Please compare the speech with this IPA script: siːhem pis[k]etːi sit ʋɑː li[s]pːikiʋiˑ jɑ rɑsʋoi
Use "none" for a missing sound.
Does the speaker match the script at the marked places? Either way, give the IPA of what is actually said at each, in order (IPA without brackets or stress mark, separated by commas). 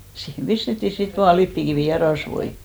t, none